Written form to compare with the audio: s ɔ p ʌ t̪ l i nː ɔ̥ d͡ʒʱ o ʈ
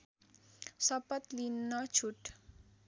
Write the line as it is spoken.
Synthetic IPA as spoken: s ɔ p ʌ t̪ l i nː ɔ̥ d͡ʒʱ u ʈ